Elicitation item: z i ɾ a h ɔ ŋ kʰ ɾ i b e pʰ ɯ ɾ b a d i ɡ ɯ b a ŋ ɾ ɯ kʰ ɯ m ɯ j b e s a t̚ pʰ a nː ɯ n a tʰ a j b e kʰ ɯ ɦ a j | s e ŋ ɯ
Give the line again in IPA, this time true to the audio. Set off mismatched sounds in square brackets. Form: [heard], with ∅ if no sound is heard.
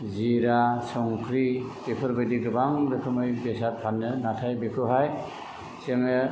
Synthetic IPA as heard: z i ɾ a [s] ɔ ŋ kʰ ɾ i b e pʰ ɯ ɾ b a d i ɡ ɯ b a ŋ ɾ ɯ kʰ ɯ m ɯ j b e s a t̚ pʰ a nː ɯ n a tʰ a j b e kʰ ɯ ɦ a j | s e ŋ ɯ